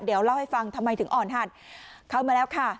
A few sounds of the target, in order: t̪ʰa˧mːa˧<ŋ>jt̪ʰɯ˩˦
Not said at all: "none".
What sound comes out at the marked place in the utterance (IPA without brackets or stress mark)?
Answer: none